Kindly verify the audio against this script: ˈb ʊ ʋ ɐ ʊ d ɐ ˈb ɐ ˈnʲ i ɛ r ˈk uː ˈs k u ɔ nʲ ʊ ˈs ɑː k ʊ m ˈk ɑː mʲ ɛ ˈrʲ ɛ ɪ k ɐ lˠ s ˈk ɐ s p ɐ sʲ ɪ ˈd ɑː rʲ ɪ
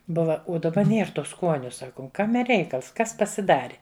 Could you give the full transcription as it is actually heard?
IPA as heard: ˈb ʊ ʋ ɐ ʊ d ɐ ˈb ɐ ˈnʲ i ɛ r ˈt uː ˈs k u ɔ nʲ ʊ ˈs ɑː k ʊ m ˈk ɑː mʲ ɛ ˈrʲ ɛ ɪ k ɐ lˠ s ˈk ɐ s p ɐ sʲ ɪ ˈd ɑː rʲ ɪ